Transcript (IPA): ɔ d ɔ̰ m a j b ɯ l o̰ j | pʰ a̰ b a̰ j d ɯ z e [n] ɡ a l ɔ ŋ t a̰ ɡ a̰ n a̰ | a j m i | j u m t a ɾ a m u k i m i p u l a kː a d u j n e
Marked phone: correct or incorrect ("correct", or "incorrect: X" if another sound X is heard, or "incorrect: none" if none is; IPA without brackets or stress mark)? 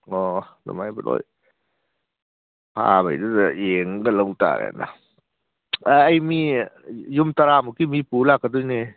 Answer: incorrect: ŋ